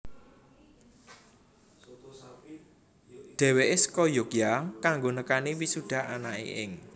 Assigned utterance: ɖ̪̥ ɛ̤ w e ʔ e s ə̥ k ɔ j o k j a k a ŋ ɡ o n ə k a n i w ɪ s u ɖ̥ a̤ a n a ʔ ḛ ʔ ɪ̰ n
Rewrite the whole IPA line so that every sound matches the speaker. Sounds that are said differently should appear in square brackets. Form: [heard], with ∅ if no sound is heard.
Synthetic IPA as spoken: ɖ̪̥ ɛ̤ w e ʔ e s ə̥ k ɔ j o k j a k a ŋ ɡ o n ə k a n i w [i] s u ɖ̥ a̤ a n a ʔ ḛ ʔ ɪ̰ [ŋ]

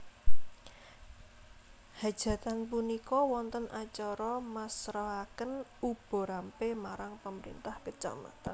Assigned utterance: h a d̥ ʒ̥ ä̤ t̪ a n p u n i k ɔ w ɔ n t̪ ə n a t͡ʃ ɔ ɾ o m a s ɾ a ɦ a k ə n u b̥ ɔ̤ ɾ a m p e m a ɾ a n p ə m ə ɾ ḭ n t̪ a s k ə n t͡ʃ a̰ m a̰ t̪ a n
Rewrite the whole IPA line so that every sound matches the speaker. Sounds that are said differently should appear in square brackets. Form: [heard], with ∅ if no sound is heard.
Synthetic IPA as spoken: h a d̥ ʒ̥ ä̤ t̪ a n p u n i k ɔ w ɔ n t̪ ə n a t͡ʃ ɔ ɾ [ɔ] m a s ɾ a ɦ a k ə n u b̥ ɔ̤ ɾ a m p e m a ɾ a [ŋ] p ə m ə ɾ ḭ n t̪ a [h] k ə [∅] t͡ʃ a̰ m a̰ t̪ a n

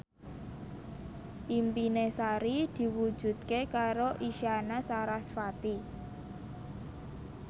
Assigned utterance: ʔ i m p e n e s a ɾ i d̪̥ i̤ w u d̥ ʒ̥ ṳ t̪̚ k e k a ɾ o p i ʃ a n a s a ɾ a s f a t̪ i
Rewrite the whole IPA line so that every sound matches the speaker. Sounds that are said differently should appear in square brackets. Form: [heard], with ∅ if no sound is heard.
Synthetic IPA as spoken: ʔ i m p [i] n e s a ɾ i d̪̥ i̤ w u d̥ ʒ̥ ṳ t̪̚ k e k a ɾ o [ʔ] i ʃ a n a s a ɾ a s f a t̪ i

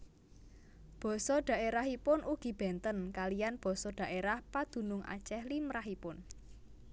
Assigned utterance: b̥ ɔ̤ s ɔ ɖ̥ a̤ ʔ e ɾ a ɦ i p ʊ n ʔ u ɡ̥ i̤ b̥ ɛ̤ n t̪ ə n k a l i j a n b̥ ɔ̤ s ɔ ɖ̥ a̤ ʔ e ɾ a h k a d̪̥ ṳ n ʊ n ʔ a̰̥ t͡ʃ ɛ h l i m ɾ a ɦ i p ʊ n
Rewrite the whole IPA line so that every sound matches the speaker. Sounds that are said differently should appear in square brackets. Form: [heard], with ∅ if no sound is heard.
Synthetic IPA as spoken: b̥ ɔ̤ s ɔ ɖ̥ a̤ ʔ e ɾ a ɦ i p ʊ n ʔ u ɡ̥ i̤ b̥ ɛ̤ n t̪ ə n k a l i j a n b̥ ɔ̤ s ɔ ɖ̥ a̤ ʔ e ɾ a h [p] a d̪̥ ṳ n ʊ [ŋ] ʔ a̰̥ t͡ʃ ɛ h l i m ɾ a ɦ i p ʊ n

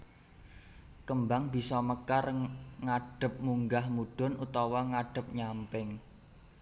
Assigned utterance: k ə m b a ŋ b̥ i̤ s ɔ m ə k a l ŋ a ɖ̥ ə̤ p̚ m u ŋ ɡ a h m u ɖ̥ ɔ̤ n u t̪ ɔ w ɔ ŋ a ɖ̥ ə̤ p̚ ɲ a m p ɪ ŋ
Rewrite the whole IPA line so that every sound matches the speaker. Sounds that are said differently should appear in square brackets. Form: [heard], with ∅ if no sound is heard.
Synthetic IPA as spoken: k ə m b a ŋ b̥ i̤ s ɔ m ə k a [r] ŋ a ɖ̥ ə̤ p̚ m u ŋ ɡ a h m u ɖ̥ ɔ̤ n u t̪ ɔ w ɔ ŋ a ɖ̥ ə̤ p̚ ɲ a m p ɪ ŋ

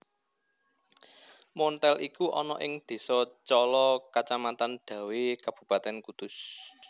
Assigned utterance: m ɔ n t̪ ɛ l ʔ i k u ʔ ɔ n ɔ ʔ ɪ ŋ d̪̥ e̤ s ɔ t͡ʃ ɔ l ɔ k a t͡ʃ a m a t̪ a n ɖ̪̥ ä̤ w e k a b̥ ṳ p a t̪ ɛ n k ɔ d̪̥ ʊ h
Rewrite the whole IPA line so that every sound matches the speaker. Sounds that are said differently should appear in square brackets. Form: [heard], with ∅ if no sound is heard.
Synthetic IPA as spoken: m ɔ n t̪ ɛ l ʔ i k u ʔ ɔ n ɔ ʔ ɪ ŋ d̪̥ e̤ s ɔ t͡ʃ ɔ l ɔ k a t͡ʃ a m a t̪ a n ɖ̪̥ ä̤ w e k a b̥ ṳ p a t̪ ɛ n k [u] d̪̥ ʊ [s]

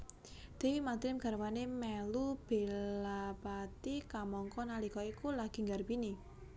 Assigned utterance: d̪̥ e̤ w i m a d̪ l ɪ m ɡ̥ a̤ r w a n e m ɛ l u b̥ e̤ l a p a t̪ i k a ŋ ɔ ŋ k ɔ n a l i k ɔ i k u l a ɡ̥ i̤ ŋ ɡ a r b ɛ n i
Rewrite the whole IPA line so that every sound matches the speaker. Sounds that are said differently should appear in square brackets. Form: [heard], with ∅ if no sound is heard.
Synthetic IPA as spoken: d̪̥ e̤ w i m a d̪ [ɾ] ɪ m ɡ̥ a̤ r w a n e m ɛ l u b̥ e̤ l a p a t̪ i k a [m] ɔ ŋ k ɔ n a l i k ɔ i k u l a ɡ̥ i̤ ŋ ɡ a r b [i] n i

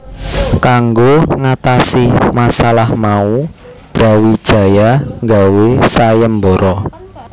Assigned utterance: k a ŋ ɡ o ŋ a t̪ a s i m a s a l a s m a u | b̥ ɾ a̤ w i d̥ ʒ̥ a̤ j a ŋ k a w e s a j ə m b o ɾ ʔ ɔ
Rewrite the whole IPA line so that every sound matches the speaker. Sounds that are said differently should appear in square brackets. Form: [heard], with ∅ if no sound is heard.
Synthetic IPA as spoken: k a ŋ ɡ o ŋ a t̪ a s i m a s a l a [h] m a u | b̥ ɾ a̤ w i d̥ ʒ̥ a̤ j a ŋ [ɡ] a w e s a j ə m b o ɾ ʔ ɔ

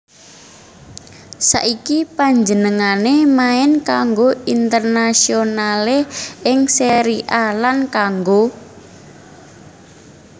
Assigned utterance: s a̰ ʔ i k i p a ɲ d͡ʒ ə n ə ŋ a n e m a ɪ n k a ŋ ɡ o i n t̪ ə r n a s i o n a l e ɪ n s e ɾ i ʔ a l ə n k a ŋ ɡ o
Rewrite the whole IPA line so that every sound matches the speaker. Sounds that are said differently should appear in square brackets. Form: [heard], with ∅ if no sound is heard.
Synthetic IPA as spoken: s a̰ ʔ i k i p a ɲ d͡ʒ ə n ə ŋ a n e m a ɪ n k a ŋ ɡ o i n t̪ ə r n a s i o n a l e ɪ [ŋ] s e ɾ i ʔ a l [a] n k a ŋ ɡ o

